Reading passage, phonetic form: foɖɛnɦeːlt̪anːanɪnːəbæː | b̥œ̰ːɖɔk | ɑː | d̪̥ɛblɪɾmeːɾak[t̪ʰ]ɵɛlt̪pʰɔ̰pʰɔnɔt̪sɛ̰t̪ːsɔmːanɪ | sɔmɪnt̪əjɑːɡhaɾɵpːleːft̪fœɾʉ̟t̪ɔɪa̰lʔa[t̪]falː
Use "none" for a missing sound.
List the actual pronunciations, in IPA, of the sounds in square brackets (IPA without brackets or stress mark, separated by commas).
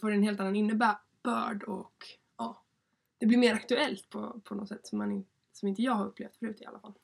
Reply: t̪, none